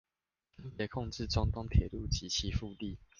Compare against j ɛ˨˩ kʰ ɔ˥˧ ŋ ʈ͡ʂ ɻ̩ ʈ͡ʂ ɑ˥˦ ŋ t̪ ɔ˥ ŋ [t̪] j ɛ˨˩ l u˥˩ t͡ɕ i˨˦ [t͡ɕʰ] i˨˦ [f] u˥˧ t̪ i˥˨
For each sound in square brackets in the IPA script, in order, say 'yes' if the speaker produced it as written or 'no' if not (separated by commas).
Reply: no, yes, yes